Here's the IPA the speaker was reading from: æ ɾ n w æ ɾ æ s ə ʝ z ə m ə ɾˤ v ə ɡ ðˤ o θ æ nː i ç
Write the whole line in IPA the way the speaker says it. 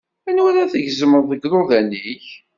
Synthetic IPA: æ n w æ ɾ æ θ ə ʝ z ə m ə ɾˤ ð ə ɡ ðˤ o ð æ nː i ç